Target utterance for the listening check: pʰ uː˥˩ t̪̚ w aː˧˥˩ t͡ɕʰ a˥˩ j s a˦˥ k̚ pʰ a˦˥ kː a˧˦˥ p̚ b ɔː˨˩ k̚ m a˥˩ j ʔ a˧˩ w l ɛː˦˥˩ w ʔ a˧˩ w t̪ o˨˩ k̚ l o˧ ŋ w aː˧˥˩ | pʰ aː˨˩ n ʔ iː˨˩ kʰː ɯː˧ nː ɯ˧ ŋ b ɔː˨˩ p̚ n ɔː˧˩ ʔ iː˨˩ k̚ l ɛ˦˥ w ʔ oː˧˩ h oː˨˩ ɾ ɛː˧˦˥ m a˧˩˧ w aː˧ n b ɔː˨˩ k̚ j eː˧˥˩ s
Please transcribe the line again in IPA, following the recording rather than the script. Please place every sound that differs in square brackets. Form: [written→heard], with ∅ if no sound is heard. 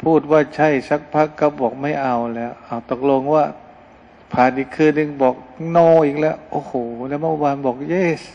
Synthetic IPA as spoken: pʰ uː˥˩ t̪̚ w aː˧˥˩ t͡ɕʰ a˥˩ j s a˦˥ k̚ pʰ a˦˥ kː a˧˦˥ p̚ b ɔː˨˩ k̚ m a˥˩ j ʔ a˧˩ w l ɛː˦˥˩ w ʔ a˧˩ w t̪ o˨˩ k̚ l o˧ ŋ w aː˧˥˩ | pʰ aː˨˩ n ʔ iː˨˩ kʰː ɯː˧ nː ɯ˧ ŋ b ɔː˨˩ [p̚→k̚] n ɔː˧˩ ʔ iː˨˩ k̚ l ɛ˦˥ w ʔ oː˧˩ h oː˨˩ [ɾ→l] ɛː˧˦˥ m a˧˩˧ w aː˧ n b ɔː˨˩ k̚ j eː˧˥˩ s